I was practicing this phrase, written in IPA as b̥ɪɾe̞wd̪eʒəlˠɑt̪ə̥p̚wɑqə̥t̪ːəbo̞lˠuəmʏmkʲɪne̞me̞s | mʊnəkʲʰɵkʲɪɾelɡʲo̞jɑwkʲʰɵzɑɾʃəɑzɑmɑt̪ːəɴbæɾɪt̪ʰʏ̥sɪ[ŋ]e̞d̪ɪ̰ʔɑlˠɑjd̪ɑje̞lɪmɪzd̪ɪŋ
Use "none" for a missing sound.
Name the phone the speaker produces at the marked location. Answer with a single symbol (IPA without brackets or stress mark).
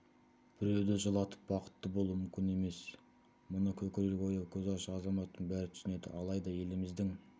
n